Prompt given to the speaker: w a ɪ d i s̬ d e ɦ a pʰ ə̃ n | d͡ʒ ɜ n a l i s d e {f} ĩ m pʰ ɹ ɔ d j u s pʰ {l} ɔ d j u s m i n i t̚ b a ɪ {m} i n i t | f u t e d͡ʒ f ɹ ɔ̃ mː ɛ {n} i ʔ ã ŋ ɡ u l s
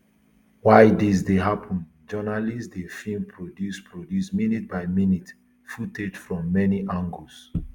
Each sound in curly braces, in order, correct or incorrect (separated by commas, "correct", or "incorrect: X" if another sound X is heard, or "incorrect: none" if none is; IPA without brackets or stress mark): correct, incorrect: ɹ, correct, correct